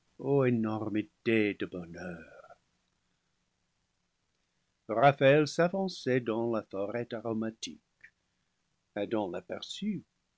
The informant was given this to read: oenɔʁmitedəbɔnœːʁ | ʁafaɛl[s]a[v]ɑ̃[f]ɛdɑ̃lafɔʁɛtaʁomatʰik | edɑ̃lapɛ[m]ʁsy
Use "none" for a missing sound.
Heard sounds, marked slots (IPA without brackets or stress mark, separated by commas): s, v, s, none